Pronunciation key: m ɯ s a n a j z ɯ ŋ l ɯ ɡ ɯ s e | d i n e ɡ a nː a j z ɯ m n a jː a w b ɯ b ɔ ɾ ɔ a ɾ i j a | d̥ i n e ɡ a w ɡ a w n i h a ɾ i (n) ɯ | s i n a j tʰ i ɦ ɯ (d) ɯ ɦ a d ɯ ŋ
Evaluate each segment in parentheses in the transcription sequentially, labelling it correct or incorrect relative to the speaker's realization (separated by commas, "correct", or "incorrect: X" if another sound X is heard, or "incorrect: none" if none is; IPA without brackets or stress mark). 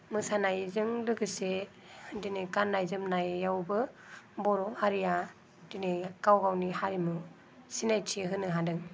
incorrect: m, incorrect: n